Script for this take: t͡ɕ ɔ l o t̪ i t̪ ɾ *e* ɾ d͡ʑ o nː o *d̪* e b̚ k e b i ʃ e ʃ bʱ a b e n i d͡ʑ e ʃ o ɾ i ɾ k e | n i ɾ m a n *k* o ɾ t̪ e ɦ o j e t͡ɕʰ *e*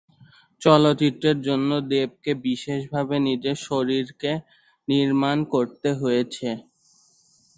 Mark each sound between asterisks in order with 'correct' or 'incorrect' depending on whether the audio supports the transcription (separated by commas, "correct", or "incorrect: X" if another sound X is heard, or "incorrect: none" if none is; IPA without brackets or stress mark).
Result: correct, correct, correct, correct